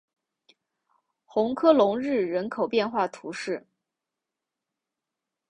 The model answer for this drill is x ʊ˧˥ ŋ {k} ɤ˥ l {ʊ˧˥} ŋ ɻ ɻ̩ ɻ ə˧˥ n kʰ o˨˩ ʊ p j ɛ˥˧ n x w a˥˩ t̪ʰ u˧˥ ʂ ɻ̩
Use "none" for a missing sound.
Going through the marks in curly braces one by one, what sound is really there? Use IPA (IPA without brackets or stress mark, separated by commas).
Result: kʰ, ʊ˧˥